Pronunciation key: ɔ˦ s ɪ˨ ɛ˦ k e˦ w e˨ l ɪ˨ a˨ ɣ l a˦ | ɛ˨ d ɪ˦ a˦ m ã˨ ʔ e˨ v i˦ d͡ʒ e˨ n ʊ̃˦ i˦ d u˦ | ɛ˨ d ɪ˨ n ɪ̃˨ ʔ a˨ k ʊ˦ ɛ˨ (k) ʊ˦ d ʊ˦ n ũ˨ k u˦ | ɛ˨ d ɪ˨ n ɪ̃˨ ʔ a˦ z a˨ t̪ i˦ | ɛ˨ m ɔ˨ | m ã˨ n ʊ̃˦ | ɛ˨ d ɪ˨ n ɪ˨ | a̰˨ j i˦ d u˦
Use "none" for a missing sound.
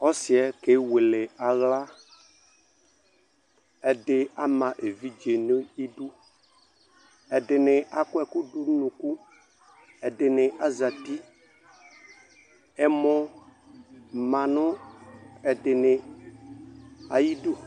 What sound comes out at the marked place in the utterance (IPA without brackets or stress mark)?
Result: k